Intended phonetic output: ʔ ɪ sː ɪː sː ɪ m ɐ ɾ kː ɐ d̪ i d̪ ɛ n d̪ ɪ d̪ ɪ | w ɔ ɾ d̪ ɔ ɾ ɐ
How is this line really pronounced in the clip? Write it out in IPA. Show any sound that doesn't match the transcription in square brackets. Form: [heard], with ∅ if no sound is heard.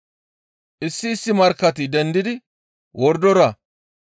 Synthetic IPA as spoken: ʔ ɪ sː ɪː sː ɪ m ɐ ɾ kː ɐ [t̪] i d̪ ɛ n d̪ ɪ d̪ ɪ | w ɔ ɾ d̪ ɔ ɾ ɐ